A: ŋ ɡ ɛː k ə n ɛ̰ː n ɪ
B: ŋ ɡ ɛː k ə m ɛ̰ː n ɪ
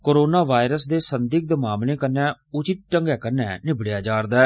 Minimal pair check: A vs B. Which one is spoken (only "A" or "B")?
A